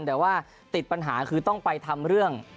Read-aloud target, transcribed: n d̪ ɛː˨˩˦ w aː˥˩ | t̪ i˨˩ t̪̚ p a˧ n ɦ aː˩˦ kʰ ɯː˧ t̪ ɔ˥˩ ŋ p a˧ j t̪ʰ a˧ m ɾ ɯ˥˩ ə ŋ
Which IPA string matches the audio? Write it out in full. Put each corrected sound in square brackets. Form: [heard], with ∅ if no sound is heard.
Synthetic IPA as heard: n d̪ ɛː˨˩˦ w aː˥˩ | t̪ i˨˩ t̪̚ p a˧ n ɦ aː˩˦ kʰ ɯː˧ t̪ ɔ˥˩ ŋ p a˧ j t̪ʰ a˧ m ɾ ɯ˥˩ ə ŋ